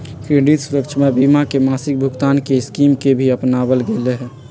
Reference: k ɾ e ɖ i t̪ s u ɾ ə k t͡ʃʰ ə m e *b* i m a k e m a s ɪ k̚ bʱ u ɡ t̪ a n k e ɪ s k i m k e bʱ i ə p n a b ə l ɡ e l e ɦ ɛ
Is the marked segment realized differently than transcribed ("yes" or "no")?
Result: no